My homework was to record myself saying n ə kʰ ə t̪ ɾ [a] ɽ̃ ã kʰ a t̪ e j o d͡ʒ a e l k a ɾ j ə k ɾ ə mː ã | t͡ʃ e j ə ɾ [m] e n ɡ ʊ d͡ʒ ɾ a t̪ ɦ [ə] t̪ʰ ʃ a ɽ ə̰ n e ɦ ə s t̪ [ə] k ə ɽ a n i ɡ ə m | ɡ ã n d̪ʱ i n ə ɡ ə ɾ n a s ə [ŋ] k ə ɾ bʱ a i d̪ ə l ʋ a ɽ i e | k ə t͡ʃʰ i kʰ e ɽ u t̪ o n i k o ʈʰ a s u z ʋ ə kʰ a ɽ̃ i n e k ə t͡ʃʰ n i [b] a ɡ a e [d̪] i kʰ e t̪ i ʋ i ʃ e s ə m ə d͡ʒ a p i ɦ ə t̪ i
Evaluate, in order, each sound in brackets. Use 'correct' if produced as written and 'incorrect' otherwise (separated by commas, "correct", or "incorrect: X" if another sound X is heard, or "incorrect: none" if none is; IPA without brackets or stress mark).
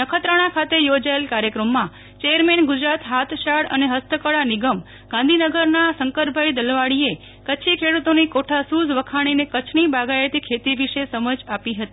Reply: incorrect: ə, correct, incorrect: a, correct, correct, correct, incorrect: t̪